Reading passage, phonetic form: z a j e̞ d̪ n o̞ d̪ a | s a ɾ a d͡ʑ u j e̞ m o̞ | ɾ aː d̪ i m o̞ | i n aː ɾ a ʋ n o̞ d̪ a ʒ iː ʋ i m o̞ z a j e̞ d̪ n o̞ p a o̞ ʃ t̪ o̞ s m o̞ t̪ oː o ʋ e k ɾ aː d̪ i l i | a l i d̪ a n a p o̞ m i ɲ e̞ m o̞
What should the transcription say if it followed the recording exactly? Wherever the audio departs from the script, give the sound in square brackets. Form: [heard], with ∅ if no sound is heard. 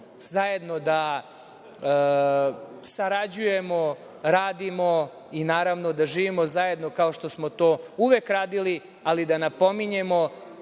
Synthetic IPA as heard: z a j e̞ d̪ n o̞ d̪ a | s a ɾ a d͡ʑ u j e̞ m o̞ | ɾ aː d̪ i m o̞ | i n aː ɾ a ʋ n o̞ d̪ a ʒ iː ʋ i m o̞ z a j e̞ d̪ n o̞ [k] a o̞ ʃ t̪ o̞ s m o̞ t̪ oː [u] ʋ e k ɾ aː d̪ i l i | a l i d̪ a n a p o̞ m i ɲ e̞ m o̞

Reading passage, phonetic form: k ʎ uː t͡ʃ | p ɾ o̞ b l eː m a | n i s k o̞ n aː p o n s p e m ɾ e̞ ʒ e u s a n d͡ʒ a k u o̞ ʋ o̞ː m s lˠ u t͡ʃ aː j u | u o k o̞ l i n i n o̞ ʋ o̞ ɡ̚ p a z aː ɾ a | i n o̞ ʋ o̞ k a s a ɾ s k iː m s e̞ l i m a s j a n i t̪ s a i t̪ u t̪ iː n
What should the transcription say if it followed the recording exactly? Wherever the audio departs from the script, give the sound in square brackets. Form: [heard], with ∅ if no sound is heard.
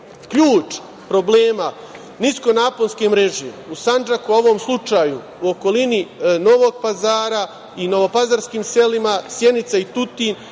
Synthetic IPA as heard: k ʎ uː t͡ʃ | p ɾ o̞ b l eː m a | n i s k o̞ n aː p o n s [k] e m ɾ e̞ ʒ e u s a n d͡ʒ a k u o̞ ʋ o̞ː m s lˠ u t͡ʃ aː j u | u o k o̞ l i n i n o̞ ʋ o̞ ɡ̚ p a z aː ɾ a | i n o̞ ʋ o̞ [p] a [z] a ɾ s k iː m s e̞ l i m a s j [e] n i t̪ s a i t̪ u t̪ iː n

